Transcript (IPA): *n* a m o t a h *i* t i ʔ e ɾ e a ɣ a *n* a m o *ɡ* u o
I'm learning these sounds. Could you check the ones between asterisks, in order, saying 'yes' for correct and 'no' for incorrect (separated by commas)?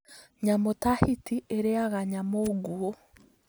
no, yes, no, yes